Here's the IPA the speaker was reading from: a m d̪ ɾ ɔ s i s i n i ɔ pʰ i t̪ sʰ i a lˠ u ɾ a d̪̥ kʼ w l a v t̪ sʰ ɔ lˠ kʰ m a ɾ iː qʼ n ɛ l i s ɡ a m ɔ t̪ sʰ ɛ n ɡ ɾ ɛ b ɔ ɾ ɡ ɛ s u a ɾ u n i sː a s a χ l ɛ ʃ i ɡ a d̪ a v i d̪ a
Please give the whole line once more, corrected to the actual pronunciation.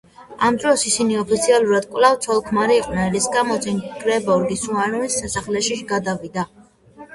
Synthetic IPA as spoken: a m d̪ ɾ ɔ s i s i n i ɔ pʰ i t̪ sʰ i a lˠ u ɾ a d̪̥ kʼ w l a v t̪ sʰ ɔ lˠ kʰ m a ɾ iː qʼ n ɛ l i s ɡ a m ɔ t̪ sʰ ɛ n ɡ ɾ ɛ b ɔ ɾ ɡ i s u a ɾ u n i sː a s a χ l ɛ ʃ i ɡ a d̪ a v i d̪ a